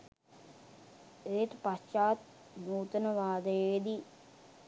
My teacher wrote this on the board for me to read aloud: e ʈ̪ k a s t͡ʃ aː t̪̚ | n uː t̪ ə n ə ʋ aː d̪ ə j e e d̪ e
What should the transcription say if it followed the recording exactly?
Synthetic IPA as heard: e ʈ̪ p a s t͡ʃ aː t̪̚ | n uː t̪ ə n ə ʋ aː d̪ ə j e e d̪ i